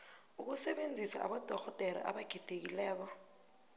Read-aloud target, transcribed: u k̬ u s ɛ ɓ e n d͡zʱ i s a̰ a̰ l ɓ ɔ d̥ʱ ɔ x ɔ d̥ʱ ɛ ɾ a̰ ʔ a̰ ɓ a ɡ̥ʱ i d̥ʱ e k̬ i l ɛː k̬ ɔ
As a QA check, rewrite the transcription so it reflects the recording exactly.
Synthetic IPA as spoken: u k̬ u s ɛ ɓ e n d͡zʱ i s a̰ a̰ ɓ ɔ d̥ʱ ɔ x ɔ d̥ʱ ɛ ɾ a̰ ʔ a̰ ɓ a ɡ̥ʱ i d̥ʱ e k̬ i l ɛː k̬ ɔ